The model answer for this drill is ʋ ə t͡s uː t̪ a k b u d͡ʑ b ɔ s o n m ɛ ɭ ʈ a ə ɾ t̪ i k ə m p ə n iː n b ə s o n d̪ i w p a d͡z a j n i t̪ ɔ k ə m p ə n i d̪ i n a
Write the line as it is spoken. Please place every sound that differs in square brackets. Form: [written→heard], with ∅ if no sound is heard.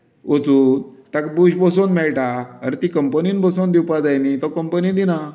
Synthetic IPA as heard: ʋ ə t͡s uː t̪ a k b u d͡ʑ b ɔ s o n m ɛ ɭ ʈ a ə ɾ t̪ i k ə m p ə n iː n b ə s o n d̪ i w p a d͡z a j n i t̪ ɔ k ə m p ə n i d̪ i n a

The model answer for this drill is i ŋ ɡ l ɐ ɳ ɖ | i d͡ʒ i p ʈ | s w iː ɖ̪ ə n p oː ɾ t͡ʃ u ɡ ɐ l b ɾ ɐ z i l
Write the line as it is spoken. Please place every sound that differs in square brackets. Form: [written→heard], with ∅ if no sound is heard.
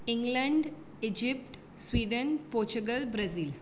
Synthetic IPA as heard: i ŋ ɡ l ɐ ɳ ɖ | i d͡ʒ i p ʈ | s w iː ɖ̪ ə n p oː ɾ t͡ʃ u ɡ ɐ l b ɾ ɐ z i l

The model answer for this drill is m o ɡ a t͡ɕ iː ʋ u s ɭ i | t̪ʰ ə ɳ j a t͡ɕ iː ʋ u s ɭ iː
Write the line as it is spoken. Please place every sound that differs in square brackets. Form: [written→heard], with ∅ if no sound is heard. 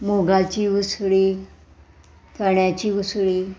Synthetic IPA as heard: m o ɡ a t͡ɕ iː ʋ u s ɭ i | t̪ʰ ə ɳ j a t͡ɕ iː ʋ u s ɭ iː

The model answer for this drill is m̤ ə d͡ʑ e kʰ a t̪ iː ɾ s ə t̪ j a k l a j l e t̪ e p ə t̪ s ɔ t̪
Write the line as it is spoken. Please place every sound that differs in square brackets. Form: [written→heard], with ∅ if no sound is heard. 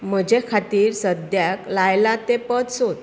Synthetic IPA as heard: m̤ ə d͡ʑ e kʰ a t̪ iː ɾ s ə [t̪→d̪] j a k l a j l [e→a] t̪ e p ə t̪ s [ɔ→o] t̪

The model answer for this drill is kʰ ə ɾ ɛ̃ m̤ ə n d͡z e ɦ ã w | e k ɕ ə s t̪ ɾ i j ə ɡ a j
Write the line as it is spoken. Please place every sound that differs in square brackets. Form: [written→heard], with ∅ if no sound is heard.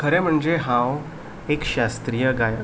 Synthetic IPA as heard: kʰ ə ɾ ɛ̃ m̤ ə [n→ɳ] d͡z e ɦ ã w | e k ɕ [ə→a] s t̪ ɾ i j ə ɡ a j

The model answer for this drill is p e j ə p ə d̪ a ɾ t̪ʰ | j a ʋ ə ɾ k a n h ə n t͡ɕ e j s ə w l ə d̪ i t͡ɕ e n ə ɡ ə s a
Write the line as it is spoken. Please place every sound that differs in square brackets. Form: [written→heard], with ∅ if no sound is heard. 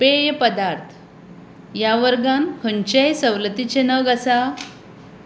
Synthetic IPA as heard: p e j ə p ə d̪ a ɾ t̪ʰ | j a ʋ ə ɾ [k→ɡ] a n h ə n t͡ɕ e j s ə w l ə [d̪→t̪] i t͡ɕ e n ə ɡ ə s a

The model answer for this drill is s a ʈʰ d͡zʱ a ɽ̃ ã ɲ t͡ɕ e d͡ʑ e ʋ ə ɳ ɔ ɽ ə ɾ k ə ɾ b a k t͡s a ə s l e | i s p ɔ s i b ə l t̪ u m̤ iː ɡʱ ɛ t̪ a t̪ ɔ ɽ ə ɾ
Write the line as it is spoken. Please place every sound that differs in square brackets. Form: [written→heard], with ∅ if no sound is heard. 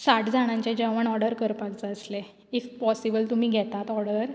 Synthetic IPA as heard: s a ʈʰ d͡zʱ a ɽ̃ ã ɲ t͡ɕ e d͡ʑ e ʋ ə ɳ ɔ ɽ ə ɾ k ə ɾ [b→p] a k t͡s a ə s l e | i [s→f] p ɔ s i b ə l t̪ u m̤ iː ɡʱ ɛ t̪ a t̪ ɔ ɽ ə ɾ

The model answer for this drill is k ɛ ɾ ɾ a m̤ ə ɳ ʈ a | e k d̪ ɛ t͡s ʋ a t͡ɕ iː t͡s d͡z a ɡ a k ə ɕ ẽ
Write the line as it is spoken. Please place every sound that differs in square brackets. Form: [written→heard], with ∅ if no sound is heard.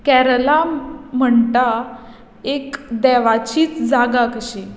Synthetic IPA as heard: k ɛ ɾ [ɾ→l] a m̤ ə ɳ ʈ a | e k d̪ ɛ [t͡s→∅] ʋ a t͡ɕ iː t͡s d͡z a ɡ a k ə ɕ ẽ

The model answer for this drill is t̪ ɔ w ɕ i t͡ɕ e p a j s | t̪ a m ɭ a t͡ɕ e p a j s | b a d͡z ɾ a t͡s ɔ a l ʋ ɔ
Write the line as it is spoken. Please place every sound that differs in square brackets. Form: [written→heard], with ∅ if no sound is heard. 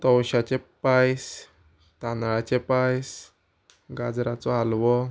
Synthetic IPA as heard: t̪ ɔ w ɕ [i→a] t͡ɕ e p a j s | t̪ a [m→n] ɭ a t͡ɕ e p a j s | [b→ɡ] a d͡z ɾ a t͡s ɔ a l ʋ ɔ

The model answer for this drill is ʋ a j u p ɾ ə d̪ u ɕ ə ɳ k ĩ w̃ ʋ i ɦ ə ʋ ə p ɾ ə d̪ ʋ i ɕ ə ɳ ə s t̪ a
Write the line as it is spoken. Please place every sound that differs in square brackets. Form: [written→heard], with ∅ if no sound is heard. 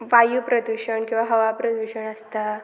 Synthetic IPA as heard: ʋ a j u p ɾ ə d̪ u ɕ ə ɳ k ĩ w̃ ʋ [i→a] ɦ ə ʋ [ə→a] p ɾ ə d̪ ʋ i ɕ ə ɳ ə s t̪ a

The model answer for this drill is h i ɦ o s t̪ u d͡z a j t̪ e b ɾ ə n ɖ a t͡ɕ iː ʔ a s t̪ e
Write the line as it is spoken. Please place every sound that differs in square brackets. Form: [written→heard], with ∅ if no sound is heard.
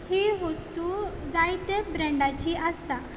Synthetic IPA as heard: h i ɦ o s t̪ u d͡z a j t̪ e b ɾ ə [n→ɳ] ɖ a t͡ɕ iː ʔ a s t̪ [e→a]

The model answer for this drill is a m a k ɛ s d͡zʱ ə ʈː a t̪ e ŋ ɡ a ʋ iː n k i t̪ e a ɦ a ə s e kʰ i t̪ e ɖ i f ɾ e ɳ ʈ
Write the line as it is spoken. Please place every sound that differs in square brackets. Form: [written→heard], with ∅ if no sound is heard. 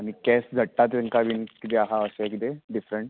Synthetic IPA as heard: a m [a→i] k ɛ s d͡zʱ ə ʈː a t̪ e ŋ [ɡ→k] a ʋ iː n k i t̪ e a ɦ a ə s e [kʰ→k] i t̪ e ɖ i f ɾ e ɳ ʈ

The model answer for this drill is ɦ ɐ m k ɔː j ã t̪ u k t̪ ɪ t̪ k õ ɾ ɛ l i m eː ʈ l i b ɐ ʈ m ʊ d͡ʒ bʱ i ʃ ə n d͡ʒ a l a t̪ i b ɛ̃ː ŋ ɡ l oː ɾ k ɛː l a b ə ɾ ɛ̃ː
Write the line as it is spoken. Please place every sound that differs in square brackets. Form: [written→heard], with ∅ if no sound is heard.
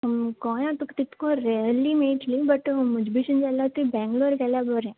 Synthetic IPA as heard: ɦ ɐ m k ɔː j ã t̪ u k t̪ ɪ t̪ k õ ɾ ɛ l i m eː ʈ l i b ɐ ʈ m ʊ d͡ʒ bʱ i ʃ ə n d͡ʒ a l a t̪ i b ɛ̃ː ŋ ɡ l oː ɾ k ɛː l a b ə ɾ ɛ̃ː

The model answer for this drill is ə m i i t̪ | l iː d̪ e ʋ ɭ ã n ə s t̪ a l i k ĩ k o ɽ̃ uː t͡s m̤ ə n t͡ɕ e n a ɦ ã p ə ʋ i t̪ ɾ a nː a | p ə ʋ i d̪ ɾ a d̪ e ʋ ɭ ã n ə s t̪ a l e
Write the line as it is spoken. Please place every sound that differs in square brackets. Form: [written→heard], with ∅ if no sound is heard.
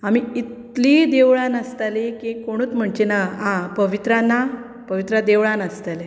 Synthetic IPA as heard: [ə→a] m i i t̪ | l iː d̪ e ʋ ɭ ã n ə s t̪ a l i k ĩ k o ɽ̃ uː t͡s m̤ ə [n→ɳ] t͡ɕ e n a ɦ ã p ə ʋ i t̪ ɾ a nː a | p ə ʋ i [d̪→t̪] ɾ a d̪ e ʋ ɭ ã n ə s t̪ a l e

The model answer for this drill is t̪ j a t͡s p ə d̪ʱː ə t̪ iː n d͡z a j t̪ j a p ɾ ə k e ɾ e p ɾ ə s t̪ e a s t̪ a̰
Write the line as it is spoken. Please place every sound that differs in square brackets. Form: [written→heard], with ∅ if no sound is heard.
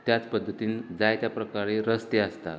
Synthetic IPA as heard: t̪ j a t͡s p ə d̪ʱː ə t̪ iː n d͡z a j t̪ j a p ɾ ə k [e→a] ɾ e [p→∅] ɾ ə s t̪ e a s t̪ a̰

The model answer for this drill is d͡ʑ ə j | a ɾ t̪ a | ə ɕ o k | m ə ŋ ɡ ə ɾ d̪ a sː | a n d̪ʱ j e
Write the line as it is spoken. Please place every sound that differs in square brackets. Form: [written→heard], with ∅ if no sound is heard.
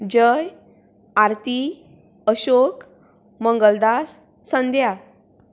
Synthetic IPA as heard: d͡ʑ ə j | a ɾ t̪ [a→i] | ə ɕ o k | m ə ŋ ɡ ə [ɾ→l] d̪ a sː | [a→ə] n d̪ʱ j [e→a]

